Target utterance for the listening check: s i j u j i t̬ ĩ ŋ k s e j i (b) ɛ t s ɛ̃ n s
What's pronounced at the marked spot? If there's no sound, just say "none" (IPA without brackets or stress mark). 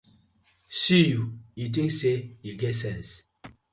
ɡ